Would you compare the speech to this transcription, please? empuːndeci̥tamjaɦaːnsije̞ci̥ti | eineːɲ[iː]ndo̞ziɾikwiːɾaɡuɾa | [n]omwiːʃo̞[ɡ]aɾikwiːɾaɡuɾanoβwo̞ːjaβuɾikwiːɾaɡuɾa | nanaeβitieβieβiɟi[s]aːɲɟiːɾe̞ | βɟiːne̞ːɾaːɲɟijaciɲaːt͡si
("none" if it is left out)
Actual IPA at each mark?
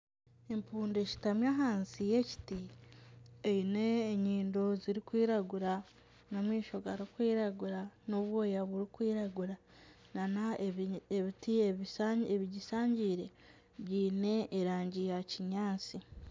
iː, n, ɡ, s

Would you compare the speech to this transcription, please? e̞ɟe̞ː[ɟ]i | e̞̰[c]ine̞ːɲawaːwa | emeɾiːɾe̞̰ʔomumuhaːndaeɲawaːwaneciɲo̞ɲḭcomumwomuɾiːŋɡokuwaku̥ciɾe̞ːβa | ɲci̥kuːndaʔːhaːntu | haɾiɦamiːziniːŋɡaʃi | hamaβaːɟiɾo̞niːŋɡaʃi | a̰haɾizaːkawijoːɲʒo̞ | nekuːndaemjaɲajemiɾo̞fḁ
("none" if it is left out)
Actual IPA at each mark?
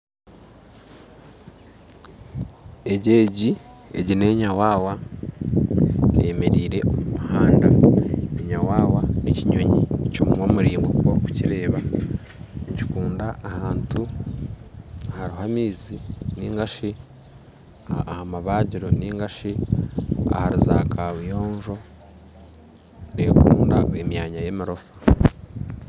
ɟ, ɟ

